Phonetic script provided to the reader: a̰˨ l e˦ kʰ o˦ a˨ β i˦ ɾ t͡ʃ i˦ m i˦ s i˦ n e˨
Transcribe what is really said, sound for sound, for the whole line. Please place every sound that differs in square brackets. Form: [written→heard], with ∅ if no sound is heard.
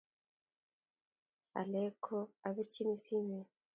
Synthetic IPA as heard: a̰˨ l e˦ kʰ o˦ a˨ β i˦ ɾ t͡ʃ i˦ [m→n] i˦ s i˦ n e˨